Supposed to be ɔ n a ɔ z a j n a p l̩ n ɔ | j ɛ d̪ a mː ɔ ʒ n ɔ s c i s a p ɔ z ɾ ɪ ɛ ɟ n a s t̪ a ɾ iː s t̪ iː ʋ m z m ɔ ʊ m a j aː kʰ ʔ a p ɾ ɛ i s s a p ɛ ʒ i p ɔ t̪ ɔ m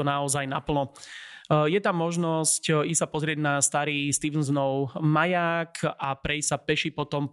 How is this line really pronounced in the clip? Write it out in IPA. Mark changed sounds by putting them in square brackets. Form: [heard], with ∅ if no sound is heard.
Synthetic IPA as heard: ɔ n a ɔ z a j n a p l̩ n ɔ | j ɛ [t̪] a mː ɔ ʒ n ɔ s c i s a p ɔ z ɾ ɪ ɛ ɟ n a s t̪ a ɾ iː s t̪ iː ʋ [n] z [n] ɔ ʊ m a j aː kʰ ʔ a p ɾ ɛ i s s a p ɛ [ʃ] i p ɔ t̪ ɔ m